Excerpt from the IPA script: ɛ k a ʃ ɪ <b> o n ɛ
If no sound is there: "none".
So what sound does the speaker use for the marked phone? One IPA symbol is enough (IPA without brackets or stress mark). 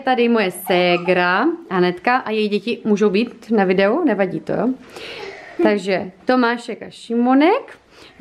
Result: m